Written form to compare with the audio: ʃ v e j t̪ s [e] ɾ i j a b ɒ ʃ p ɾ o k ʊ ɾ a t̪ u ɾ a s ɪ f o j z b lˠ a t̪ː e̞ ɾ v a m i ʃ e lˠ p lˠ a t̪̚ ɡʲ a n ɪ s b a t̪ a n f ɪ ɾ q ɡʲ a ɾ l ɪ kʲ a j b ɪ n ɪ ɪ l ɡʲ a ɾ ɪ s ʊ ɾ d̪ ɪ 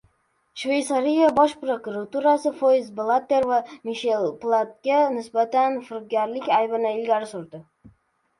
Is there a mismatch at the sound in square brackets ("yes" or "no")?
yes